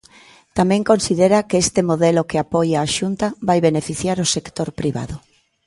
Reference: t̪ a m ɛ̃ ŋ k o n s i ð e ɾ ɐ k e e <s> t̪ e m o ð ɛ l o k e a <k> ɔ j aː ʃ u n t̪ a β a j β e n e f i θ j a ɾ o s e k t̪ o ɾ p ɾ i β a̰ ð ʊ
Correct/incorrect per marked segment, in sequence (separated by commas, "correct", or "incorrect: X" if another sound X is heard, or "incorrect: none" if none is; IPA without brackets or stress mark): correct, incorrect: p